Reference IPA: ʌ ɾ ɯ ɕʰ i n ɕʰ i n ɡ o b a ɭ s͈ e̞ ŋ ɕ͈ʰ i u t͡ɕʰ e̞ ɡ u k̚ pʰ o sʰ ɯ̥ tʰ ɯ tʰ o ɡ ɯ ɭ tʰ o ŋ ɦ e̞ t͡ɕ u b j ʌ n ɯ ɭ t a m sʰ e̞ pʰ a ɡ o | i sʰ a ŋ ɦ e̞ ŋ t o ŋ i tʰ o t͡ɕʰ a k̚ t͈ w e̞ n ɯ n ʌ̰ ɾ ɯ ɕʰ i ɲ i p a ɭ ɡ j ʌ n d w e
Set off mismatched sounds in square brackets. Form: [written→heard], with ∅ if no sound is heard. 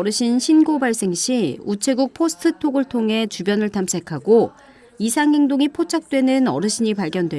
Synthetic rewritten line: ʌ ɾ ɯ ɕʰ i n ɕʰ i n ɡ o b a ɭ s͈ e̞ ŋ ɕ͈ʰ i u t͡ɕʰ e̞ ɡ u k̚ pʰ o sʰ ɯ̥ tʰ ɯ tʰ o ɡ ɯ ɭ tʰ o ŋ ɦ e̞ t͡ɕ u b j ʌ n ɯ ɭ t a m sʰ e̞ [pʰ→kʰ] a ɡ o | i sʰ a ŋ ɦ e̞ ŋ [t→d] o ŋ i [tʰ→pʰ] o t͡ɕʰ a k̚ t͈ w e̞ n ɯ n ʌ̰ ɾ ɯ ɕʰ i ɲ i p a ɭ ɡ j ʌ n d w e